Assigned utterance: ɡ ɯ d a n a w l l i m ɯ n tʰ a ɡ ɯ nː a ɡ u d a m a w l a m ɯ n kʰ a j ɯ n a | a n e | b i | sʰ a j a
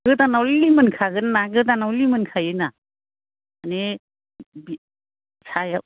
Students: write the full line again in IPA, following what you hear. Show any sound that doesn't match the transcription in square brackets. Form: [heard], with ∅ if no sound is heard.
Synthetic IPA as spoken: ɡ ɯ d a n a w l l i m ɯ n [kʰ] a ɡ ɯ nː a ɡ [ɯ] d a [n] a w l [i] m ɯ n kʰ a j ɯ n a | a n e | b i | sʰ a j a